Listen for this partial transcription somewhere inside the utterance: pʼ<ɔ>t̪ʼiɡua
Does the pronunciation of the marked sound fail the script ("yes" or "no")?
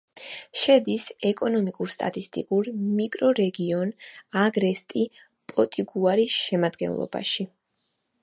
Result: no